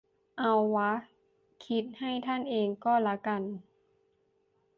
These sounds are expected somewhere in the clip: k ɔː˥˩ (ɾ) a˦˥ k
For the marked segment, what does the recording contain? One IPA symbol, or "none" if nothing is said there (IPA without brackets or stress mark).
l